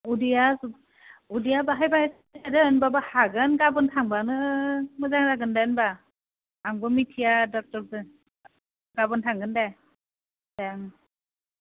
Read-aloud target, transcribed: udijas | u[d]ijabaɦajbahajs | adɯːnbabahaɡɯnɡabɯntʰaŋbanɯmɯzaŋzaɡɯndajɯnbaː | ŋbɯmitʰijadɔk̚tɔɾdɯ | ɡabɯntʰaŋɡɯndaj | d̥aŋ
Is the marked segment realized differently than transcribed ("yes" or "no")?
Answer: no